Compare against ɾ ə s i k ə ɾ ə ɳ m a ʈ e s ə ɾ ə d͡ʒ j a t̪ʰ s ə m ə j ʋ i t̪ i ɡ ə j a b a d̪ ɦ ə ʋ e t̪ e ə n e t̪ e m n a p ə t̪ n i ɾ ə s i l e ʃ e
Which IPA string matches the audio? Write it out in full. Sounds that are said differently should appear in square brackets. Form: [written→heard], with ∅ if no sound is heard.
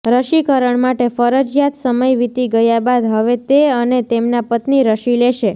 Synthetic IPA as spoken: ɾ ə [s→ʃ] i k ə ɾ ə ɳ m a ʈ e [s→f] ə ɾ ə d͡ʒ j a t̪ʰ s ə m ə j ʋ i t̪ i ɡ ə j a b a d̪ ɦ ə ʋ e t̪ e ə n e t̪ e m n a p ə t̪ n i ɾ ə [s→ʃ] i l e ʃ e